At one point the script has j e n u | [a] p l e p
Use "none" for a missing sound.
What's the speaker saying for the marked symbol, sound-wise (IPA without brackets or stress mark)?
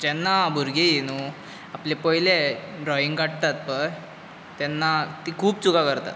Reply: a